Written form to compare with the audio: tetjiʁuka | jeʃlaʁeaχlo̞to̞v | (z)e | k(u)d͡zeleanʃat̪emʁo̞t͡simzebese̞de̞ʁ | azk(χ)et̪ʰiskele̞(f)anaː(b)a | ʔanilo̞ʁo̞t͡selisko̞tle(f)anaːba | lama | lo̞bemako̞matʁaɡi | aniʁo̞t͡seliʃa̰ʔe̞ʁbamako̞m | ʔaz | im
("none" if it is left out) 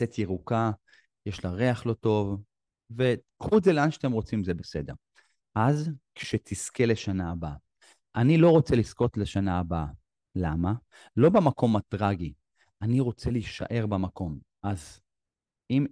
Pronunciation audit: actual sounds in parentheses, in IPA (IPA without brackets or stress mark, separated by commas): v, u, ʃ, ʃ, b, ʃ